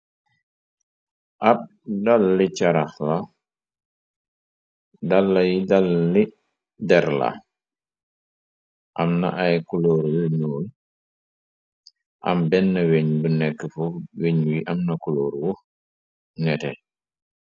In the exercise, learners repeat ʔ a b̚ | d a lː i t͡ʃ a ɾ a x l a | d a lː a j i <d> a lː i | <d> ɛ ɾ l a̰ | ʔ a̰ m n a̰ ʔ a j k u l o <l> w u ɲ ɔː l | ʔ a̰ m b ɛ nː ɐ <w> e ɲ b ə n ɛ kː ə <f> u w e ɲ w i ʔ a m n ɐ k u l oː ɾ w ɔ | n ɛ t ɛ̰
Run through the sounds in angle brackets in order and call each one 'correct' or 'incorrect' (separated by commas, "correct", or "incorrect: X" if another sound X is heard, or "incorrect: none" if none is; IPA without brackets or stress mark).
correct, correct, incorrect: ɾ, correct, correct